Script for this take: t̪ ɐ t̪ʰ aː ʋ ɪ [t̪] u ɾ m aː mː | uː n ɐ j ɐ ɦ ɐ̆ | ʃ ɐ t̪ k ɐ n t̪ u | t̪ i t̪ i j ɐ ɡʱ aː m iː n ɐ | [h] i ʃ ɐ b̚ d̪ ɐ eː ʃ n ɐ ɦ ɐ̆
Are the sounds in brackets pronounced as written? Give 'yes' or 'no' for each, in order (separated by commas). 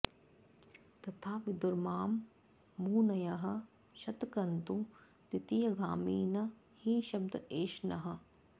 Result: no, yes